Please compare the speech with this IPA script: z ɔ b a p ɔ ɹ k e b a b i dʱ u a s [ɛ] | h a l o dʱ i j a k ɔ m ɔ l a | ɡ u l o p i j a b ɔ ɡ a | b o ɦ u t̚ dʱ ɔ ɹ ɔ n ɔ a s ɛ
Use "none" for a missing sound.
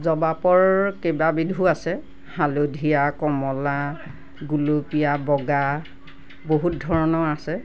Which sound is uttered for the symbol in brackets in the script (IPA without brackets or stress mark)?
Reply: ɛ